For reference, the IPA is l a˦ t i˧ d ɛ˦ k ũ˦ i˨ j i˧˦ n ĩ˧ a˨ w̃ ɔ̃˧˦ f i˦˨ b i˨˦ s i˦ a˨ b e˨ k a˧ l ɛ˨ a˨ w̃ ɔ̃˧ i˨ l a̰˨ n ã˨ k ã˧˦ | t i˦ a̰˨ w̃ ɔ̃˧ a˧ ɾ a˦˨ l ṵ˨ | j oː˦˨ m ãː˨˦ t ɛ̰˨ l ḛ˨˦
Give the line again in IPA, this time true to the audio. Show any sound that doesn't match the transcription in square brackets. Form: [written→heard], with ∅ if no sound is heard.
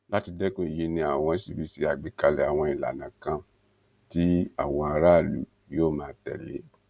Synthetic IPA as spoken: l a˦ t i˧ d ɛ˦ k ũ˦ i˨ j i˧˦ n ĩ˧ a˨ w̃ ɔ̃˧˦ [f→s] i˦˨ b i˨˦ s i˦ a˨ [b→ɡ͡b] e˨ k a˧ l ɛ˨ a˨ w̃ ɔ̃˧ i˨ l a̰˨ n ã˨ k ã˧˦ | t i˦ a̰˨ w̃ ɔ̃˧ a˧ ɾ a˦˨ l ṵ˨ | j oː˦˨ m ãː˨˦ t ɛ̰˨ l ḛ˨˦